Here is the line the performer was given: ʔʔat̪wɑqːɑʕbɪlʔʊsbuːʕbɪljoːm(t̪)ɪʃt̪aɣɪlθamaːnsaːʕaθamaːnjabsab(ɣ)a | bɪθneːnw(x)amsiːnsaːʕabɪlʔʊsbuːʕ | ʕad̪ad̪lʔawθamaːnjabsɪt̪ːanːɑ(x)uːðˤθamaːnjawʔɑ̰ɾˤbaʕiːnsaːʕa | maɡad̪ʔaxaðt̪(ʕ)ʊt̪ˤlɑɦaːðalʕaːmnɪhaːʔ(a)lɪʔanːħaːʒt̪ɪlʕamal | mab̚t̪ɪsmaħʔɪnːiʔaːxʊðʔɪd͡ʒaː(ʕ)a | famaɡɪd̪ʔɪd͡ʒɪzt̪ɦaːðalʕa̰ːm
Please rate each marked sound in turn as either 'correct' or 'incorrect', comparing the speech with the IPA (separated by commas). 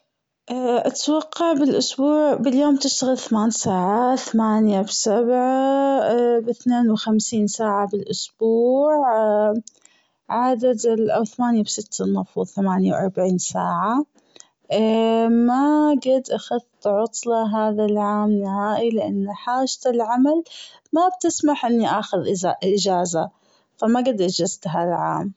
correct, incorrect, correct, incorrect, correct, incorrect, incorrect